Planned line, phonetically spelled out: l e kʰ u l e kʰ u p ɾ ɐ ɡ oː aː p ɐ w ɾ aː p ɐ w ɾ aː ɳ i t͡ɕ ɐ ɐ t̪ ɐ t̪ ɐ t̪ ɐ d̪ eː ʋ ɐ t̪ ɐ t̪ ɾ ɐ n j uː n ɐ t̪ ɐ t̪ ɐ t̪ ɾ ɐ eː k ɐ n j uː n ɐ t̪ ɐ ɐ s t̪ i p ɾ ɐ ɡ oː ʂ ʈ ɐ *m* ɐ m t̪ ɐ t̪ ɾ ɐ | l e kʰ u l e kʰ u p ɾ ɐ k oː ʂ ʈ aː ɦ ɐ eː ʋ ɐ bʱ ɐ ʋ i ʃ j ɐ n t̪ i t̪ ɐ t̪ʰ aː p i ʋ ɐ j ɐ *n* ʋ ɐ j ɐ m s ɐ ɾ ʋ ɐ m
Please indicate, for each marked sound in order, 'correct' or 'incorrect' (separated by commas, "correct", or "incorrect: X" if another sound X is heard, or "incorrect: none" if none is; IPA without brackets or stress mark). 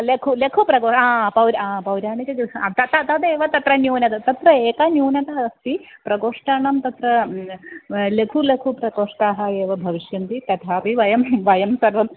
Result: incorrect: ɳ, incorrect: m